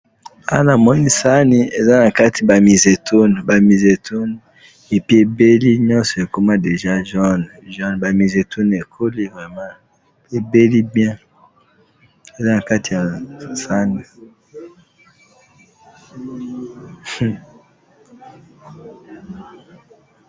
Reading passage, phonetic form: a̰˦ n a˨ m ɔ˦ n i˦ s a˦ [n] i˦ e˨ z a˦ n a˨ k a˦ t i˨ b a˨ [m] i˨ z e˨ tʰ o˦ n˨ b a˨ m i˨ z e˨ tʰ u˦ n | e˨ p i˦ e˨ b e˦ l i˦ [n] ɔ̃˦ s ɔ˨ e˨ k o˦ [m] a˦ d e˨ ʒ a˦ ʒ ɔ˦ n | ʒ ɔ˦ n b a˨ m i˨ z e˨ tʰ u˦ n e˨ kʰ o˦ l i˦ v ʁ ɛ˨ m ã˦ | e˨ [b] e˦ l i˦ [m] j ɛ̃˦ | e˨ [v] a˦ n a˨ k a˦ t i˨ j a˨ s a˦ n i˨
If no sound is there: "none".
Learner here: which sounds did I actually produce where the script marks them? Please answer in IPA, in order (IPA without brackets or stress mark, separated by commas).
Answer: n, m, ɲ, m, b, b, z